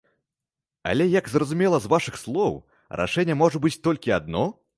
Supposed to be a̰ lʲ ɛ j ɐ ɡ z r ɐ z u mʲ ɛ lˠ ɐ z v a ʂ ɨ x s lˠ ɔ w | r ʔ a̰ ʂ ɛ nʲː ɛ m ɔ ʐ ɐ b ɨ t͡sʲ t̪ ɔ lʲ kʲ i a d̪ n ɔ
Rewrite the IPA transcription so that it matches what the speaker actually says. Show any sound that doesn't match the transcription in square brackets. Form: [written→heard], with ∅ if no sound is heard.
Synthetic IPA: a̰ lʲ ɛ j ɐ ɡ z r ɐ z u mʲ ɛ lˠ ɐ z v a ʂ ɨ x s lˠ ɔ w | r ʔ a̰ ʂ ɛ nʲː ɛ m ɔ ʐ ɐ b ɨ t͡sʲ t̪ ɔ lʲ kʲ i a d̪ n ɔ